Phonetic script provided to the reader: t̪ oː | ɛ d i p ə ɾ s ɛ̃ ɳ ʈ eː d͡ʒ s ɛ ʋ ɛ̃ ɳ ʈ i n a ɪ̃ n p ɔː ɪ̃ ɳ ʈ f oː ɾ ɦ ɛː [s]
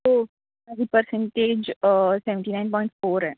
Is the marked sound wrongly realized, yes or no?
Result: yes